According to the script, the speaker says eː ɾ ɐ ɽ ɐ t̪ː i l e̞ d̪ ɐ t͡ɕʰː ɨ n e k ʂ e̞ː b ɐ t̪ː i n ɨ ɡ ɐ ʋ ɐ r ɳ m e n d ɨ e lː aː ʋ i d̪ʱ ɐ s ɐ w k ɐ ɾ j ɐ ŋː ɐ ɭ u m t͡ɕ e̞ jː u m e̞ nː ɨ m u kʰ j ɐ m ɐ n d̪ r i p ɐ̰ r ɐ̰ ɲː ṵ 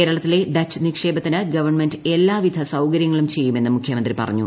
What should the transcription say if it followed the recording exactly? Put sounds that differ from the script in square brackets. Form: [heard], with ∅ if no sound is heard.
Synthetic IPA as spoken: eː ɾ ɐ [ɭ] ɐ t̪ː i l e̞ d̪ ɐ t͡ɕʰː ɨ n [i] k ʂ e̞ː b ɐ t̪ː i n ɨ ɡ ɐ ʋ ɐ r ɳ m e n d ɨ e lː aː ʋ i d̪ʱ ɐ s ɐ w k ɐ ɾ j ɐ ŋː ɐ ɭ u m t͡ɕ e̞ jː u m e̞ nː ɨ m u kʰ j ɐ m ɐ n d̪ r i p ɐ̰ r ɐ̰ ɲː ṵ